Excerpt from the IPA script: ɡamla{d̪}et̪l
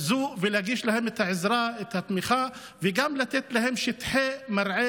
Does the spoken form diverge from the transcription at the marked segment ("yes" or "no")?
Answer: yes